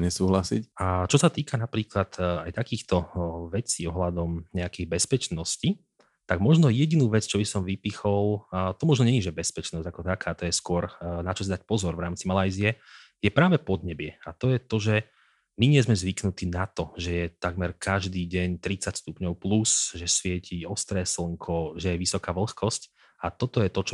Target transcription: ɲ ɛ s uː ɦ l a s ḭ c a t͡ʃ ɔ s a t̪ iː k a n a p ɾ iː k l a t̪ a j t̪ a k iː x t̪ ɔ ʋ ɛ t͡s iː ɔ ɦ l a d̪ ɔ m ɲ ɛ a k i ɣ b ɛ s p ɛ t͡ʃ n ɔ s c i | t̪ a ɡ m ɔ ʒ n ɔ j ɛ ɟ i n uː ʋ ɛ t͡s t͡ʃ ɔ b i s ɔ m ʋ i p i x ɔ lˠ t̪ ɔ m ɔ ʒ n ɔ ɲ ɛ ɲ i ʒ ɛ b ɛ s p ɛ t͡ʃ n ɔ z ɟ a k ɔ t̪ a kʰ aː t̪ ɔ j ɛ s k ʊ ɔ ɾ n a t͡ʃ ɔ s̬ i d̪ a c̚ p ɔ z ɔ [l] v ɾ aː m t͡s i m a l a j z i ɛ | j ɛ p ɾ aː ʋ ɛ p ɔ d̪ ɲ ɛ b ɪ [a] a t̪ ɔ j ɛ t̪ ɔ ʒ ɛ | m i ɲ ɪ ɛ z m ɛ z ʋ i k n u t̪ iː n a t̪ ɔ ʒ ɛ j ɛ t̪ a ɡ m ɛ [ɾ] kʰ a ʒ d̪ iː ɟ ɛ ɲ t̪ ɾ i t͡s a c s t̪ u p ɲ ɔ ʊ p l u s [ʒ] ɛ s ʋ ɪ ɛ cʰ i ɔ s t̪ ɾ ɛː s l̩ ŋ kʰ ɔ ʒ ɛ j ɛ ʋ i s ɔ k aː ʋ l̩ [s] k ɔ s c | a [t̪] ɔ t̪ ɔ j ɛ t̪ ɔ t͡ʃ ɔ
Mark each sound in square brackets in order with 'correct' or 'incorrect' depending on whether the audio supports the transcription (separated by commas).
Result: incorrect, incorrect, correct, correct, incorrect, correct